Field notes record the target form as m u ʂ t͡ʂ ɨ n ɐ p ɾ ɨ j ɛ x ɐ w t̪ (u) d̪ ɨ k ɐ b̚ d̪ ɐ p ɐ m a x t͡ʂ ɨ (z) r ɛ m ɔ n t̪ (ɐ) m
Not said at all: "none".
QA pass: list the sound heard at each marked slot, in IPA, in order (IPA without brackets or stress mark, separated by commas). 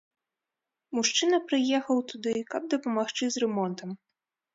u, z, ɐ